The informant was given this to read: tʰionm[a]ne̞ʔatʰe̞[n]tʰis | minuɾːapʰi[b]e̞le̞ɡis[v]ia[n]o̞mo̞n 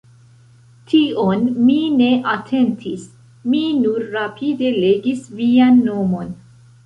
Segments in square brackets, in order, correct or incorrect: incorrect: i, correct, incorrect: d, correct, incorrect: nː

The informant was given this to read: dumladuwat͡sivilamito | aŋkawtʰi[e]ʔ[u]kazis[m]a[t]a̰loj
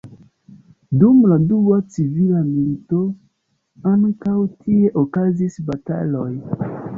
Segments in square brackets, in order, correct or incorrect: correct, incorrect: o, incorrect: b, correct

